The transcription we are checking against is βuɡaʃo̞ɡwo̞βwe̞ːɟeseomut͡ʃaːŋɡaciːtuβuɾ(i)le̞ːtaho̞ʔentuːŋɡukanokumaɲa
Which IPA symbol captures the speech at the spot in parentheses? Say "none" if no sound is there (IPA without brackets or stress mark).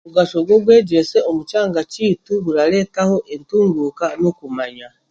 a